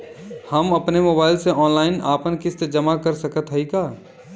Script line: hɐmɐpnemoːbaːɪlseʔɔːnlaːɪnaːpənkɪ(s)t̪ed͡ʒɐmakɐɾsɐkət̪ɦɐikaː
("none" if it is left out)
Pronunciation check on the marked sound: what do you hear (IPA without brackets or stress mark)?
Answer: s